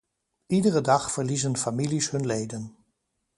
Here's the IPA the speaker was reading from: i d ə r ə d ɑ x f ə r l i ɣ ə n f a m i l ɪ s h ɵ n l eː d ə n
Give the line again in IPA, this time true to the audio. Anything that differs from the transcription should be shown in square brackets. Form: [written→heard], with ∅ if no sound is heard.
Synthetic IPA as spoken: i d ə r ə d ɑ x f ə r l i [ɣ→z] ə n f a m i l [ɪ→i] s h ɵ n l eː d ə n